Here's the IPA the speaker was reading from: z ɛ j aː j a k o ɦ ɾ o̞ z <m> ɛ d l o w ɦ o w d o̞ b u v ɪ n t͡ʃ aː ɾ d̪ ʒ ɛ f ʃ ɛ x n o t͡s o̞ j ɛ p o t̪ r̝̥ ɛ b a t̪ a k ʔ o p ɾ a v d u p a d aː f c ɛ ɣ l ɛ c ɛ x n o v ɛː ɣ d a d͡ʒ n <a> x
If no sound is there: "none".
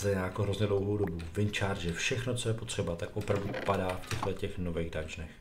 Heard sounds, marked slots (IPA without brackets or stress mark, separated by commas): ɲ, ɛ